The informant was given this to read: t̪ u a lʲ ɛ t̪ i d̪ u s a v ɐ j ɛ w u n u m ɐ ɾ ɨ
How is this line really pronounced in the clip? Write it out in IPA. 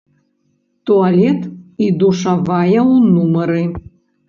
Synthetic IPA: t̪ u a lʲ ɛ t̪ i d̪ u ʂ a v a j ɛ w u n u m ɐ ɾ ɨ